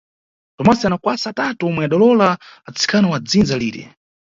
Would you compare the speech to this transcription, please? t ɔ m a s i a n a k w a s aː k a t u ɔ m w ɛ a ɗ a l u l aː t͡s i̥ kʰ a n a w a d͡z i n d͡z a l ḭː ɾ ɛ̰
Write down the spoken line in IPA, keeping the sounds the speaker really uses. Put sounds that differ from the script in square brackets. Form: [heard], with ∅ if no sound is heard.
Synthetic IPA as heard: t ɔ m a s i a n a k w a s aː [t] a t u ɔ m w ɛ a ɗ a l [ɔ] l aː t͡s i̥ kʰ a n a w a d͡z i n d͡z a l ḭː ɾ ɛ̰